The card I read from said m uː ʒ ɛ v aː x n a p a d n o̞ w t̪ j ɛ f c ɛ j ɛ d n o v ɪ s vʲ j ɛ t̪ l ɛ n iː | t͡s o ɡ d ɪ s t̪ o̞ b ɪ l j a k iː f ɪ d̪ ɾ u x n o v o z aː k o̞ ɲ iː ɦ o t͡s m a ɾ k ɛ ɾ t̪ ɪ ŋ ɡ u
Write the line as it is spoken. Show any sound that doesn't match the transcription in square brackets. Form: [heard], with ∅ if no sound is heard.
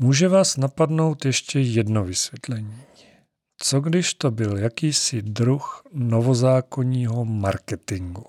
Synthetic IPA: m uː ʒ ɛ v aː [s] n a p a d n o̞ w t̪ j ɛ [ʃ] c ɛ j ɛ d n o v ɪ s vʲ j ɛ t̪ l ɛ [ɲ] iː | t͡s o ɡ d ɪ [ʃ] t̪ o̞ b ɪ l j a k iː [s] ɪ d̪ ɾ u x n o v o z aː k o̞ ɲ iː ɦ o [∅] m a ɾ k ɛ [∅] t̪ ɪ ŋ ɡ u